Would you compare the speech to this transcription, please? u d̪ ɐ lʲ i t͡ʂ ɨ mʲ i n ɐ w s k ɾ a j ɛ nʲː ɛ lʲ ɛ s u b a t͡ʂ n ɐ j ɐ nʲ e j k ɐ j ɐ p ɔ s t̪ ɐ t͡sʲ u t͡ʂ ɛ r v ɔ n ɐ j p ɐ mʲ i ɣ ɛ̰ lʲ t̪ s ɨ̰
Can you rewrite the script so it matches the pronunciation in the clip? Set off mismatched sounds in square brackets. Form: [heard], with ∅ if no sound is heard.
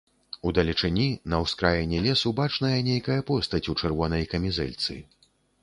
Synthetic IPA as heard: u d̪ ɐ lʲ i t͡ʂ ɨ [nʲ] i n ɐ w s k ɾ a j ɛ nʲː ɛ lʲ ɛ s u b a t͡ʂ n ɐ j ɐ nʲ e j k ɐ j ɐ p ɔ s t̪ ɐ t͡sʲ u t͡ʂ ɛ r v ɔ n ɐ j [k] ɐ mʲ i [z] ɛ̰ lʲ t̪ s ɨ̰